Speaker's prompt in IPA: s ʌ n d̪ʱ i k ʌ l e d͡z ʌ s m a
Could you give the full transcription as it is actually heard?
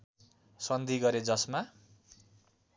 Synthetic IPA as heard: s ʌ n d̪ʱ i ɡ ʌ ɾ e d͡z ʌ s m a